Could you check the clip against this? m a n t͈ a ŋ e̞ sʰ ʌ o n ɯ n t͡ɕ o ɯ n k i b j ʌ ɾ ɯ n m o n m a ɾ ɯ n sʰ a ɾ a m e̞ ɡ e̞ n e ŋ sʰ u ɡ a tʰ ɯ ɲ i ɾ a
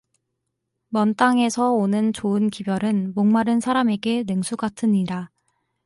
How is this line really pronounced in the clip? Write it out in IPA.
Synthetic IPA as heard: m ʌ n t͈ a ŋ e̞ sʰ ʌ o n ɯ n t͡ɕ o ɯ n k i b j ʌ ɾ ɯ n m o ŋ m a ɾ ɯ n sʰ a ɾ a m e̞ ɡ e̞ n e ŋ sʰ u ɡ a tʰ ɯ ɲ i ɾ a

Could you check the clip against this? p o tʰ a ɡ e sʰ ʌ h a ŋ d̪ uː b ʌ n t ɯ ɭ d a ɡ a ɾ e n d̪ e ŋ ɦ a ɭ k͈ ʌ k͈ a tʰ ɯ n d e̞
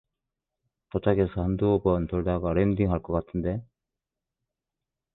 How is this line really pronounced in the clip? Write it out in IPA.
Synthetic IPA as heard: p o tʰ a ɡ e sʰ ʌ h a n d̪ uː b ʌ n t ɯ ɭ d a ɡ a ɾ e n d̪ i ŋ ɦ a ɭ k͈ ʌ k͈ a tʰ ɯ n d e̞

